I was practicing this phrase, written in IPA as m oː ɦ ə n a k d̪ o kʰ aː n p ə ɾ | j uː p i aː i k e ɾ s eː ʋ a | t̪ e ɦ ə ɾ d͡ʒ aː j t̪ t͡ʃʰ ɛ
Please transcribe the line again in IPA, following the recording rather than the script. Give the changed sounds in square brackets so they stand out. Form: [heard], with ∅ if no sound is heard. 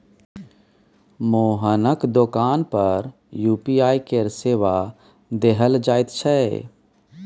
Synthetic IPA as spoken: m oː ɦ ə n [ə] k d̪ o [k] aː n p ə ɾ | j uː p i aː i k e ɾ s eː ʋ a | [d̪] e ɦ ə [l] d͡ʒ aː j t̪ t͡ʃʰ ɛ